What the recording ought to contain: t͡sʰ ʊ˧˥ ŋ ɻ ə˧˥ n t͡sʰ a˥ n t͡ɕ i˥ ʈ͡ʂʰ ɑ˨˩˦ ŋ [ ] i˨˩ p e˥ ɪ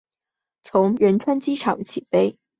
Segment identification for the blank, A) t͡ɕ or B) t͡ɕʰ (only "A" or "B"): B